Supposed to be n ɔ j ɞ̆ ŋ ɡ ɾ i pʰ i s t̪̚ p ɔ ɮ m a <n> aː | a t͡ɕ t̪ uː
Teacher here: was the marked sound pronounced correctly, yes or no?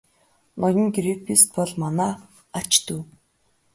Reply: yes